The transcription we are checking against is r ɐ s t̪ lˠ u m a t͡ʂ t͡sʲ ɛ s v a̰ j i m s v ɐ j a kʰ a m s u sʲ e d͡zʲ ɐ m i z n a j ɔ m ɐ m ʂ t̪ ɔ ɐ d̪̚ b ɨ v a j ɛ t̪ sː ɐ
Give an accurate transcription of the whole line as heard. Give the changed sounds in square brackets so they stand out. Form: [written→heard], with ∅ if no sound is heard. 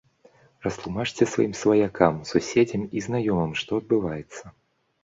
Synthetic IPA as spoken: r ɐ s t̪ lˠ u m a t͡ʂ t͡sʲ ɛ s v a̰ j i m s v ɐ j a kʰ a m s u sʲ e d͡zʲ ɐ m i z n a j ɔ m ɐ m ʂ t̪ ɔ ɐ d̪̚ b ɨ v a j ɛ t̪ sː ɐ